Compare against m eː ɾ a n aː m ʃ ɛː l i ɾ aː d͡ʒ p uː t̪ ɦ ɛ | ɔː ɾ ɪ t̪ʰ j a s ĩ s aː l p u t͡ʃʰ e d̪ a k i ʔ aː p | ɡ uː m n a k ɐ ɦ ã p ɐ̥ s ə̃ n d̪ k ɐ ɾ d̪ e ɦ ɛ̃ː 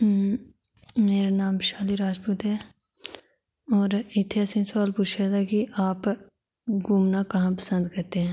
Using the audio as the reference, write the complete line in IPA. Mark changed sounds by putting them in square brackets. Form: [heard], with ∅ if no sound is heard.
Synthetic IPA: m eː ɾ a n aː m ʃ [aː] l i ɾ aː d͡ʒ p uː t̪ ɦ ɛ | ɔː ɾ ɪ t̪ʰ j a s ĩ s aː l p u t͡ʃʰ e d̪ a k i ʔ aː p | ɡ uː m n a k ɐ ɦ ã p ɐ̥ s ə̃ n d̪ k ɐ ɾ [t̪] e ɦ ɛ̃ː